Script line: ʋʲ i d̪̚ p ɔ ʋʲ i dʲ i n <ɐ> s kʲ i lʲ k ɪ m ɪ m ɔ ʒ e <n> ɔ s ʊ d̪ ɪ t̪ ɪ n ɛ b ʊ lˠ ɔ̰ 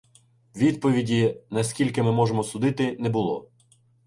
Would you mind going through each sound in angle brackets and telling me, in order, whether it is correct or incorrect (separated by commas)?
correct, incorrect